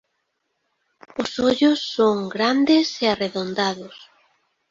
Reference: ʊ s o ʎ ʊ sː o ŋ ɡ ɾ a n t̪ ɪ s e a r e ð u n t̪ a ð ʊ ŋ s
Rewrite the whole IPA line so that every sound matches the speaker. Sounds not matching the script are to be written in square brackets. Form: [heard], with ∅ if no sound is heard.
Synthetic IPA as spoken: ʊ s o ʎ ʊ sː o ŋ ɡ ɾ a n [d̪] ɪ s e a r e ð [o] n [d̪] a ð ʊ [∅] s